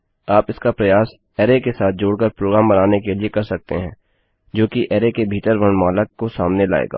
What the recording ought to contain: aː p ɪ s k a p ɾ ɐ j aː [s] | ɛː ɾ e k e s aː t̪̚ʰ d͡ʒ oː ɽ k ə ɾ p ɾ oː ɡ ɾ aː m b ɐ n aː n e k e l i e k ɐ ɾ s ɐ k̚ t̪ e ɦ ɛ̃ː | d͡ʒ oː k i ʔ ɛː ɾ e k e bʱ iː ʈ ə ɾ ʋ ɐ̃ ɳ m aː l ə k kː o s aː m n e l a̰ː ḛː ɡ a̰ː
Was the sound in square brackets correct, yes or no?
yes